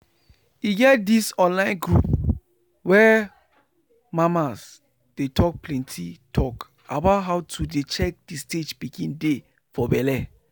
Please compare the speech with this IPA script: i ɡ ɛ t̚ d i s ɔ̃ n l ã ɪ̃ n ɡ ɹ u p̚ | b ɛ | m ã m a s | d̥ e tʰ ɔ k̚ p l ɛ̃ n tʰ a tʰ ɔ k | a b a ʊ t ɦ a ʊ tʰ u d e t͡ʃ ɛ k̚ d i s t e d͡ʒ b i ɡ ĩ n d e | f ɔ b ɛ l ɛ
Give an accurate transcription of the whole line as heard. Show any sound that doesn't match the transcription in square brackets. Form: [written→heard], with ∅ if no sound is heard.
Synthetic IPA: i ɡ ɛ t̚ d i s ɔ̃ n l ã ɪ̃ n ɡ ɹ u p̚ | [b→w] ɛ | m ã m a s | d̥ e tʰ ɔ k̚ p l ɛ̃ n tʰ [a→i] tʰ ɔ k | a b a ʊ t ɦ a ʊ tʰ u d e t͡ʃ ɛ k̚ d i s t e d͡ʒ b i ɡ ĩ n d e | f ɔ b ɛ l ɛ